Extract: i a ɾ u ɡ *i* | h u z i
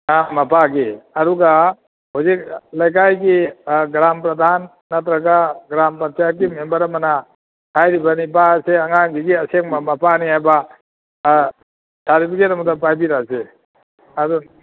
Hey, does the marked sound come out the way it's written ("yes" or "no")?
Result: no